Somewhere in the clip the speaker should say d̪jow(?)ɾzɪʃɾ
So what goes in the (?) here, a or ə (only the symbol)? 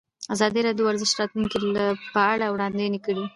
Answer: a